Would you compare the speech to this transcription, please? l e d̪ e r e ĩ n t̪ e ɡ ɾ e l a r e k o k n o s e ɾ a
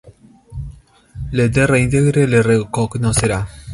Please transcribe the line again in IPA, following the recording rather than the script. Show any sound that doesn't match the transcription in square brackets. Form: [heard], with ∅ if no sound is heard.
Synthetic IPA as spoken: l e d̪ e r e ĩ n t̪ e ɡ ɾ e l [e] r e k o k n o s e ɾ a